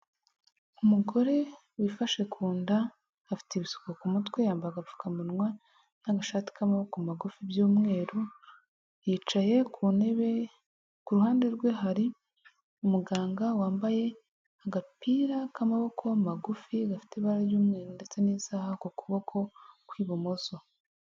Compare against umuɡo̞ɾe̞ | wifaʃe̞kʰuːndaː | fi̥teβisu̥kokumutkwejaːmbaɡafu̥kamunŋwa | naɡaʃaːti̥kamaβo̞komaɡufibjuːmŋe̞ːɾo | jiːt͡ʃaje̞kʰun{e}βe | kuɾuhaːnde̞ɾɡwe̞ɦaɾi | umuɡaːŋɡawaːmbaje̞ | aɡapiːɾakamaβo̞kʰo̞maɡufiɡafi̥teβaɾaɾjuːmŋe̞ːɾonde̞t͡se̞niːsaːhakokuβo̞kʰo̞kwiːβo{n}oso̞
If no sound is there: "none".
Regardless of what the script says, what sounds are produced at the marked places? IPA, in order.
e, m

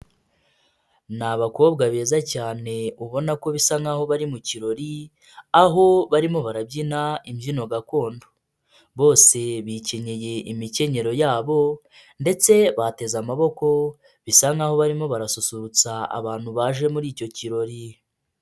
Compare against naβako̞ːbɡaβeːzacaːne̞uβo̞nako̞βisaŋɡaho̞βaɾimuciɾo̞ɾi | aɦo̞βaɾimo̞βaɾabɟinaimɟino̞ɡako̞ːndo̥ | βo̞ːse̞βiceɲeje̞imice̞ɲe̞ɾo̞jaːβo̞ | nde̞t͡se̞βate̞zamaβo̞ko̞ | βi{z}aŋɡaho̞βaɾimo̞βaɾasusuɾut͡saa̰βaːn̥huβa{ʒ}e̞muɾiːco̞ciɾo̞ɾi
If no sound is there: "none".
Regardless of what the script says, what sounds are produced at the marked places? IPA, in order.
s, ʒ

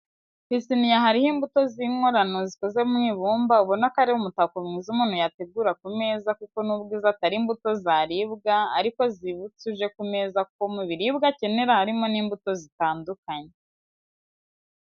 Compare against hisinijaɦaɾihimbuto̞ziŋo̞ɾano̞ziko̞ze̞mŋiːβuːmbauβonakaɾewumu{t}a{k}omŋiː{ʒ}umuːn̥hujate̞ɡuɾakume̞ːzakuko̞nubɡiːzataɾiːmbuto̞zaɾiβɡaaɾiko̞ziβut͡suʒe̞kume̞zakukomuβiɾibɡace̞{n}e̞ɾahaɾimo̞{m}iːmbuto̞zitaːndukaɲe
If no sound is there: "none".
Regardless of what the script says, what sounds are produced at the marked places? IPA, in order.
t, k, z, n, n

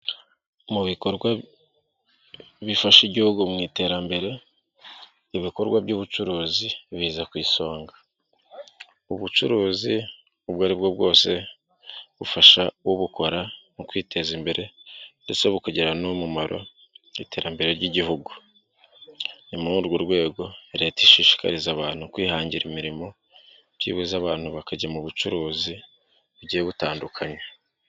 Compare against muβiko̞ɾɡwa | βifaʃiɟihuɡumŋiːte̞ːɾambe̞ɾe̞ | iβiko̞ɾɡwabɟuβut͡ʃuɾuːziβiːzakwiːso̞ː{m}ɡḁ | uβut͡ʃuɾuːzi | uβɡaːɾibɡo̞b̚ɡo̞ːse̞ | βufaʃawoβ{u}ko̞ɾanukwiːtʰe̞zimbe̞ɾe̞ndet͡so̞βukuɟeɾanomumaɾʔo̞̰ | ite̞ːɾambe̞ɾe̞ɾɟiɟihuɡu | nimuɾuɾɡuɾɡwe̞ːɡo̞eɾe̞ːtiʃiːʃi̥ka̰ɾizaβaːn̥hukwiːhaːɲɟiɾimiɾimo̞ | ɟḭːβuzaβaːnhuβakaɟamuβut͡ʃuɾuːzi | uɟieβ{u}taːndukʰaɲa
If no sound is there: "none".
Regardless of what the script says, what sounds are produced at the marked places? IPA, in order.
ŋ, u, u

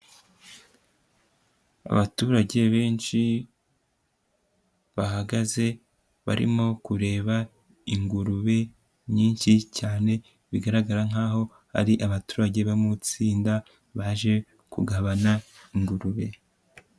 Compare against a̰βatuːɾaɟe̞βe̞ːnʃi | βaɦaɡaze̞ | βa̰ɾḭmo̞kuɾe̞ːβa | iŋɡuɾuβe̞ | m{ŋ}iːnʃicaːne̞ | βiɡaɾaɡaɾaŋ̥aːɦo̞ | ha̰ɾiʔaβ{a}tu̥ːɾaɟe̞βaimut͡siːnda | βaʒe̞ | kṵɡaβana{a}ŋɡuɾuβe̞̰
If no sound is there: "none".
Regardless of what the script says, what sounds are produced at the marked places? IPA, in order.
ɲ, a, i

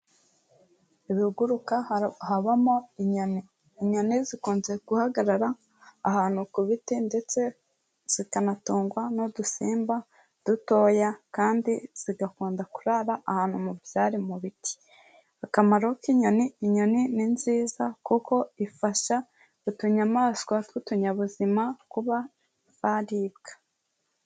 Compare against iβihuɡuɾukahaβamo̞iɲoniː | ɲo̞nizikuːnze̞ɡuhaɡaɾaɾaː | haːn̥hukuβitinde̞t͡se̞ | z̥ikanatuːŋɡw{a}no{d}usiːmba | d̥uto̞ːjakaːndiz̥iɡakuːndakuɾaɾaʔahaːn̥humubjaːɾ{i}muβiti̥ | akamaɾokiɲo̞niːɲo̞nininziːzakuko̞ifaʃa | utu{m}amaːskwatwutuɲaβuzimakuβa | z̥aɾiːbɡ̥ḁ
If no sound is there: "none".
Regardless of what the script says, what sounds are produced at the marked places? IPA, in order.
a, d, i, ɲ

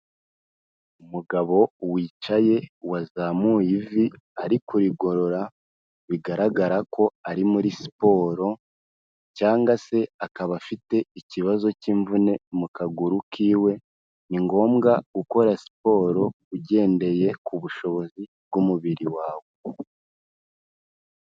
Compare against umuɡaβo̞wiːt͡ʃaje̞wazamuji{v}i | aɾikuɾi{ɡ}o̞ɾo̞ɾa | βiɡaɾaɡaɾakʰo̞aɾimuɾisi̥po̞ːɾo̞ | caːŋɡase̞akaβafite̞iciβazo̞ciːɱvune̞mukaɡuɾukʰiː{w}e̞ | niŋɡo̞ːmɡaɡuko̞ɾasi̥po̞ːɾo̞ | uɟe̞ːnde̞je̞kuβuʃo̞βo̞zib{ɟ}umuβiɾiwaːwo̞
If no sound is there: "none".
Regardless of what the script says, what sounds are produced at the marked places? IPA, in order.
v, ɡ, w, ɡ

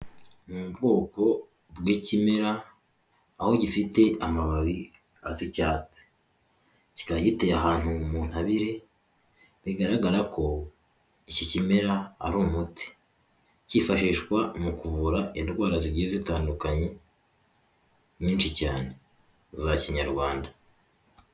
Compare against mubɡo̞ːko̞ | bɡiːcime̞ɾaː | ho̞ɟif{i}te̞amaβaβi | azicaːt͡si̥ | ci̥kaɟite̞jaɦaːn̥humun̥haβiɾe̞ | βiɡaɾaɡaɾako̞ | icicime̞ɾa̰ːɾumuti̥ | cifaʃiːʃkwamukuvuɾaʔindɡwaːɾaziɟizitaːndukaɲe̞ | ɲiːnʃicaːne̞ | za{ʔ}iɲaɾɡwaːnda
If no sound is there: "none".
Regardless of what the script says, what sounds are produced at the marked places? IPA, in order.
i, c

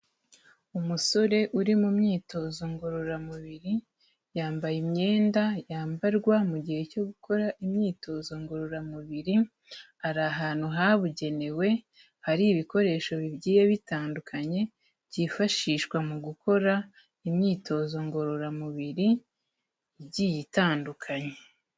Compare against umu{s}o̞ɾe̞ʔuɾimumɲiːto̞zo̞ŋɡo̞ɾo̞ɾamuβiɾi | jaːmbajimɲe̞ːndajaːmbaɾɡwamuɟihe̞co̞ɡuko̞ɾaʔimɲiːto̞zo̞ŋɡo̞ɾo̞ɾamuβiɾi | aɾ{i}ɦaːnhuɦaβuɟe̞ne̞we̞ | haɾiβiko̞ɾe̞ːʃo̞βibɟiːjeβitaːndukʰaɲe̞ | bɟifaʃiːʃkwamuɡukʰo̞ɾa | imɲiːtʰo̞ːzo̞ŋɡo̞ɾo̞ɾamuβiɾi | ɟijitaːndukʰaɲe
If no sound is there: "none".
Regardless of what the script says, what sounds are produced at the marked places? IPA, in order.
s, a

